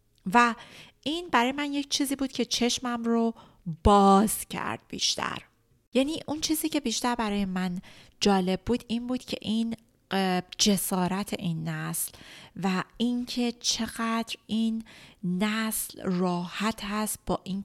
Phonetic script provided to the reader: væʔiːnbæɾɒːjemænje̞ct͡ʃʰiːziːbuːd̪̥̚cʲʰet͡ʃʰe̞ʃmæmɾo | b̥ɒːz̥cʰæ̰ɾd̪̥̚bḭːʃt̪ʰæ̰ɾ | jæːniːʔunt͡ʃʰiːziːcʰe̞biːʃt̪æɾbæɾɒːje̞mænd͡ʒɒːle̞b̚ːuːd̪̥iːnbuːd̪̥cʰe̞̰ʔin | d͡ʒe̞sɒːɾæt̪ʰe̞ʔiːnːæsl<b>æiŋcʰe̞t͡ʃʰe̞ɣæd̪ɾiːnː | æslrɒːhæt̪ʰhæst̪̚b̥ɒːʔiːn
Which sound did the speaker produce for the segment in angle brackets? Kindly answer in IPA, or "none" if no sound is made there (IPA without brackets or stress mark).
v